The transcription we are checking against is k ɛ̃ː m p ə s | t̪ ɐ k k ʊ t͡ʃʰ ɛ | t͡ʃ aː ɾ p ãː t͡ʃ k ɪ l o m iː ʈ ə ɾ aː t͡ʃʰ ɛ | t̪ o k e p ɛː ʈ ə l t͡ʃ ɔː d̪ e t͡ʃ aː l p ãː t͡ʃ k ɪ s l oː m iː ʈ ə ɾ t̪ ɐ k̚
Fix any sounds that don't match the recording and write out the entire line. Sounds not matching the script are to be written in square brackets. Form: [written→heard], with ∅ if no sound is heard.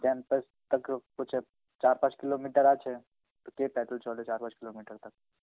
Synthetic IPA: k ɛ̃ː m p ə s | t̪ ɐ k k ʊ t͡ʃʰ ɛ | t͡ʃ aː ɾ p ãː t͡ʃ k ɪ l o m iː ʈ ə ɾ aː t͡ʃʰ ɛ | t̪ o k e p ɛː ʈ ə l t͡ʃ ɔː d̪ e t͡ʃ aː [l→ɾ] p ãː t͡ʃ k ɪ [s→∅] l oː m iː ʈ ə ɾ t̪ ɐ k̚